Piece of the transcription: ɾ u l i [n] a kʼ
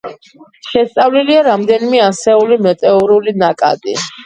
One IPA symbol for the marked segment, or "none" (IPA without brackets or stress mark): n